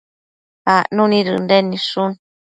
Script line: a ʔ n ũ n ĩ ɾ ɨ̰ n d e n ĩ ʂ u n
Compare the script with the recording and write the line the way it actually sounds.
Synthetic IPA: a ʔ n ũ n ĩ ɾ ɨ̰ n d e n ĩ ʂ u n